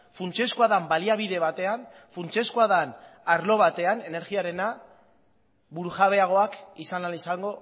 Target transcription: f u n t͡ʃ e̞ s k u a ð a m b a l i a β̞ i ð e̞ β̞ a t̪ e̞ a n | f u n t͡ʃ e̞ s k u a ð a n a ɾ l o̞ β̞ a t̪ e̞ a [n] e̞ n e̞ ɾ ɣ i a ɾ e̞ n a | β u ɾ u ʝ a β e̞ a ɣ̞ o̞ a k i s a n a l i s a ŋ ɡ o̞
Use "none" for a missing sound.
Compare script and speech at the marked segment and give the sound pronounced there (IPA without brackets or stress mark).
n